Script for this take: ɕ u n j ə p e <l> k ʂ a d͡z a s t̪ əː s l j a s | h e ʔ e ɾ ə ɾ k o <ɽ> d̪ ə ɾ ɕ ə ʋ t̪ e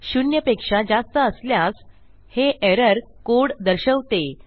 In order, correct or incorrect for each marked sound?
incorrect: none, correct

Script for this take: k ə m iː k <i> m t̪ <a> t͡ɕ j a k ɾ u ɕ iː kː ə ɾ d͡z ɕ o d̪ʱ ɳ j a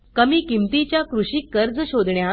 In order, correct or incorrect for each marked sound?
correct, incorrect: i

